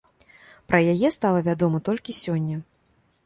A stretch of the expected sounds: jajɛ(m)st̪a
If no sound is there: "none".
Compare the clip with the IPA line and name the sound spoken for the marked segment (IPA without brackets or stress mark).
none